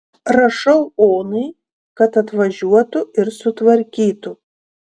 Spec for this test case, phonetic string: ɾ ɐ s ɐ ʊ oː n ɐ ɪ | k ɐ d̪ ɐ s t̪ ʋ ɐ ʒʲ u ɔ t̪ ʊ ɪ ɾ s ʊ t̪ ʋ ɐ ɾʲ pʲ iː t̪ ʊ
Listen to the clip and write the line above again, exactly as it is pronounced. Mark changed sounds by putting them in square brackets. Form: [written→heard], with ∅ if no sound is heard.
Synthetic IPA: ɾ ɐ [s→ʃ] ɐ ʊ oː n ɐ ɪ | k ɐ [d̪→t̪] ɐ [s→∅] t̪ ʋ ɐ ʒʲ u ɔ t̪ ʊ ɪ ɾ s ʊ t̪ ʋ ɐ ɾʲ [pʲ→kʲ] iː t̪ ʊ